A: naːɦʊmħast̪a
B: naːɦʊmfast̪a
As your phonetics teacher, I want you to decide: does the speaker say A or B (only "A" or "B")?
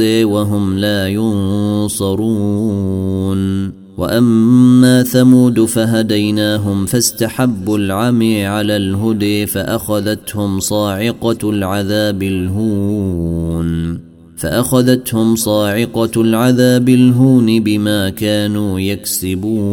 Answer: B